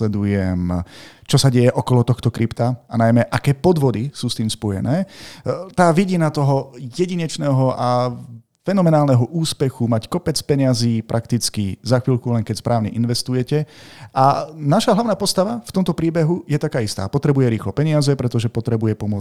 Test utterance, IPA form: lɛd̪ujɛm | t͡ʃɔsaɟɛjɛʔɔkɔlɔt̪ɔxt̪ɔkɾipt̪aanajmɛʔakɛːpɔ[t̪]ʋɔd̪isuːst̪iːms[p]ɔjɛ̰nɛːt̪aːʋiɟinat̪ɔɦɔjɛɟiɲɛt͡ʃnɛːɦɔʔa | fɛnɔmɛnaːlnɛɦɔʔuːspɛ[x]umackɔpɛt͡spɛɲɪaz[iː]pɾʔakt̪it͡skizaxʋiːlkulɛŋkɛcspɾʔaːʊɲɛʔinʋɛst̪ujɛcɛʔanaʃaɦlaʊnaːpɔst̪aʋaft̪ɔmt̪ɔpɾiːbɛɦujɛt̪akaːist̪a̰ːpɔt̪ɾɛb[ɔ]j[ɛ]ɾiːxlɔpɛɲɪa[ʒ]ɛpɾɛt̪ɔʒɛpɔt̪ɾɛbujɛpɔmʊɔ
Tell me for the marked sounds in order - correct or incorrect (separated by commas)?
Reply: incorrect, correct, correct, correct, incorrect, correct, incorrect